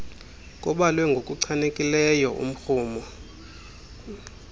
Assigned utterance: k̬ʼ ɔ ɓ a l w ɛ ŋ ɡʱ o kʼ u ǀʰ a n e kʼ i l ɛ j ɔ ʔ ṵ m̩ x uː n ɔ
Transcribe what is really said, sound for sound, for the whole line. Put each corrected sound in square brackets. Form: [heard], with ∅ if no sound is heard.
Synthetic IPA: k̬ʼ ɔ ɓ a l w ɛ ŋ ɡʱ o kʼ u ǀʰ a n e kʼ i l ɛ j ɔ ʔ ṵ m̩ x uː [m] ɔ

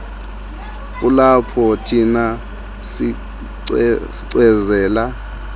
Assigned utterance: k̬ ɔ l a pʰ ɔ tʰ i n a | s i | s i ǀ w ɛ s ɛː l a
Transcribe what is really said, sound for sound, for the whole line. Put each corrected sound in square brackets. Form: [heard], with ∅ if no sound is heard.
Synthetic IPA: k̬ [u] l a pʰ ɔ tʰ i n a | s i | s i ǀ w ɛ [z] ɛː l a

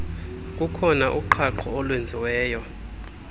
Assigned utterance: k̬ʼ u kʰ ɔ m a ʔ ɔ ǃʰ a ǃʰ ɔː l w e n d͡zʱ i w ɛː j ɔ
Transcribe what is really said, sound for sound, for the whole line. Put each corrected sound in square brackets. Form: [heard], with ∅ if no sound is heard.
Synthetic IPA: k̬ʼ u kʰ ɔ [n] a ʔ [u] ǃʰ a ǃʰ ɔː l w e n d͡zʱ i w ɛː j ɔ

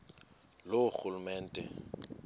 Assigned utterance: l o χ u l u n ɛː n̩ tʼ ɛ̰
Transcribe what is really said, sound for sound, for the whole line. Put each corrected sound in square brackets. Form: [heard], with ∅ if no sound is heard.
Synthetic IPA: l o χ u l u [m] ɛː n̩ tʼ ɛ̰

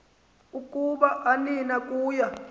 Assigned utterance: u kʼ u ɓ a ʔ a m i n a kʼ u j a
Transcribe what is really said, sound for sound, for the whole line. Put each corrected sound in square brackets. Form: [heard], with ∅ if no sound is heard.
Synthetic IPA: u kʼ u ɓ a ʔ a [n] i n a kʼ [uː] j a

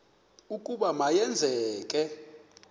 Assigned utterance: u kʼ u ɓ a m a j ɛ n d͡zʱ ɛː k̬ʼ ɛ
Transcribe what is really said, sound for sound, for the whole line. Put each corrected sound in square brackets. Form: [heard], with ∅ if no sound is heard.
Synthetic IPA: u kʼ u ɓ a m a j ɛ n d͡zʱ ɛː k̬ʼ ɛ

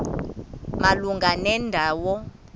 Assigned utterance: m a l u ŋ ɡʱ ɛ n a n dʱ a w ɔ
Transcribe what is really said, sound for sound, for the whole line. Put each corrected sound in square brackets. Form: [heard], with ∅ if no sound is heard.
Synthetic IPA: m a l u ŋ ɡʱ [a] n [ɛ] n dʱ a w ɔ

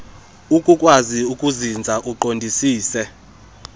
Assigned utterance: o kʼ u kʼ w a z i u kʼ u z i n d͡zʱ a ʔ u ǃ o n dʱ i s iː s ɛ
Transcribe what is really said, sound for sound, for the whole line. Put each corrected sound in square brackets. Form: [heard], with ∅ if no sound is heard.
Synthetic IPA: [u] kʼ u kʼ w a z i u kʼ u z i n d͡zʱ a ʔ u ǃ o n dʱ i s iː s ɛ

